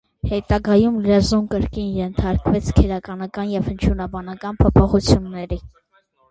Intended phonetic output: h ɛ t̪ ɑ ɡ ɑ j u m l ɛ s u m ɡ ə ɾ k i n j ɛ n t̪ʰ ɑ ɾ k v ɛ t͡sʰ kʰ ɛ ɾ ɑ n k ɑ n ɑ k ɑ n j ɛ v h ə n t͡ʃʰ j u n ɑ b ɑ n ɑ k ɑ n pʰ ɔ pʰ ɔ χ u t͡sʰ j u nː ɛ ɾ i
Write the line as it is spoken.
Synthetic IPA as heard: h ɛ t̪ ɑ ɡ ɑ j u m l ɛ z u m k ə ɾ k i n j ɛ n t̪ʰ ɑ ɾ k v ɛ t͡sʰ kʰ ɛ ɾ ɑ k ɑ n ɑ k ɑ n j ɛ v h ə n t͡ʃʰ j u n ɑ b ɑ n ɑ k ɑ n pʰ ɔ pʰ ɔ χ u t͡sʰ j u nː ɛ ɾ i